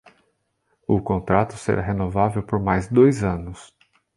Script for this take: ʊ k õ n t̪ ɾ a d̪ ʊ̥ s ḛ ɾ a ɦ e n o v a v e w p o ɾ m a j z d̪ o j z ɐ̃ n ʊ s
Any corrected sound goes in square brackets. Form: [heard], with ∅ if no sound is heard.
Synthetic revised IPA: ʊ k õ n t̪ ɾ a [t̪] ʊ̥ s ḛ ɾ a ɦ e n o v a v e w p o ɾ m a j z d̪ o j z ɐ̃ n ʊ s